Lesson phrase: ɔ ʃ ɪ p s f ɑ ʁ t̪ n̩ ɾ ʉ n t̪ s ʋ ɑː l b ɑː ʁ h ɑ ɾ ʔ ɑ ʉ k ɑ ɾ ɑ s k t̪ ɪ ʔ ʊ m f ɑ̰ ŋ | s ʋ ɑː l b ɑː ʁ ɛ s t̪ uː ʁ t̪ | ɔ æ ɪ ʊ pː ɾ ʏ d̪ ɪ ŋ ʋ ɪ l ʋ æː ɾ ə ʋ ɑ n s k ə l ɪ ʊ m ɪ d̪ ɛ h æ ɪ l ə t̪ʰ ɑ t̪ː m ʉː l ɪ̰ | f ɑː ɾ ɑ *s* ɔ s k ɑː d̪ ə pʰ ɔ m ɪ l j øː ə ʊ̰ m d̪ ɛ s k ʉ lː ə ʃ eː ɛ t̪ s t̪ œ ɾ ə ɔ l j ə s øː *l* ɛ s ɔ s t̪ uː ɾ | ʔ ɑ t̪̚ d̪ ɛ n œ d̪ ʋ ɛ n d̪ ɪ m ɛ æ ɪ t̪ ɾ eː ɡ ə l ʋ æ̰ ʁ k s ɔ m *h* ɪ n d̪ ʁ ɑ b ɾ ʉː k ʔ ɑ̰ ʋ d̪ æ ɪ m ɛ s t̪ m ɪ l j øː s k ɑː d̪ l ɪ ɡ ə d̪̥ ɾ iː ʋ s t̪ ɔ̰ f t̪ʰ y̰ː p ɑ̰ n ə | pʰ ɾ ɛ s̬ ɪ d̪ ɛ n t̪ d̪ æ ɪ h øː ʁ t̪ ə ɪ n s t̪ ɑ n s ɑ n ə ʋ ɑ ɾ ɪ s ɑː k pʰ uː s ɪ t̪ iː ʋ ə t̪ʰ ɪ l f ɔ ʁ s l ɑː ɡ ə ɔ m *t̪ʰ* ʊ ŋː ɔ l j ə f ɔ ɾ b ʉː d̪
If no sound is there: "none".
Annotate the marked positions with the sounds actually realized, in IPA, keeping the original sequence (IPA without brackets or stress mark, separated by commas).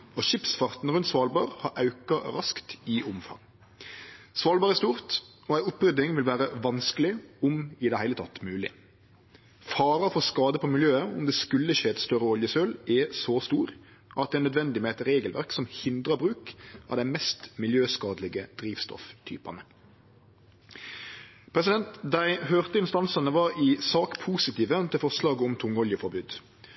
f, l, h, t̪ʰ